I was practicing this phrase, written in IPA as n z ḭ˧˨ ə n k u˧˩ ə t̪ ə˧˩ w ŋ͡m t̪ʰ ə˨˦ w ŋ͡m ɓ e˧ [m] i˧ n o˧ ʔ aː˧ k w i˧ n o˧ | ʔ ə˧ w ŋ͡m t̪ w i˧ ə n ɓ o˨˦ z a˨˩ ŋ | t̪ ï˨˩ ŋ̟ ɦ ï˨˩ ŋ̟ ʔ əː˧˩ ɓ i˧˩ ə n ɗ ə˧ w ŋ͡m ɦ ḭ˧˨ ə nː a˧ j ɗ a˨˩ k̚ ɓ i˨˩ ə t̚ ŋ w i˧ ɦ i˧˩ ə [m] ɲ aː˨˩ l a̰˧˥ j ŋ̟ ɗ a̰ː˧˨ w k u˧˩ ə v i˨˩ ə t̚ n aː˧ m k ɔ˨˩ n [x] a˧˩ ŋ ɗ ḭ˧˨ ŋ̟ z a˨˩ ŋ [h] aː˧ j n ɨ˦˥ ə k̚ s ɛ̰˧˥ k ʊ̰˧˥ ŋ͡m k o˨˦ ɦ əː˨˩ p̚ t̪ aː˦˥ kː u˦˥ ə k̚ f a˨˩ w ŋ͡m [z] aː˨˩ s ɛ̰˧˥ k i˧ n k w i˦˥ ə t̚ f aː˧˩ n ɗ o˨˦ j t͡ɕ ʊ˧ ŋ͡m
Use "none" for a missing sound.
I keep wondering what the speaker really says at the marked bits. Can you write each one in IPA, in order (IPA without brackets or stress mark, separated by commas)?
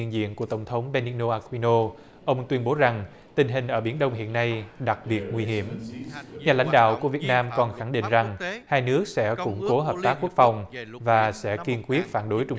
n, m, x, h, v